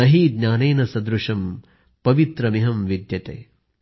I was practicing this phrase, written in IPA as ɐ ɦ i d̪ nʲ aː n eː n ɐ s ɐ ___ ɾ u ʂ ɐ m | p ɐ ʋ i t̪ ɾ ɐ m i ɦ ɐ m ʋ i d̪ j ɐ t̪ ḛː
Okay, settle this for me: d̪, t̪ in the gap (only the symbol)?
d̪